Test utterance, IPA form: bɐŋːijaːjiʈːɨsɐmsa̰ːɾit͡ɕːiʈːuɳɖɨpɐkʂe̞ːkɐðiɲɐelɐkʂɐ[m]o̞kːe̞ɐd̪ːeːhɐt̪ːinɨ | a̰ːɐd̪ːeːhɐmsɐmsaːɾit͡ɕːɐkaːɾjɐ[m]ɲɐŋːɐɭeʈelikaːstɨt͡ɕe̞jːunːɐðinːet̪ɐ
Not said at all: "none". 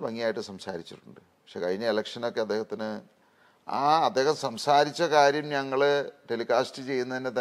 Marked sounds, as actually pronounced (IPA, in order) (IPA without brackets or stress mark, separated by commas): n, m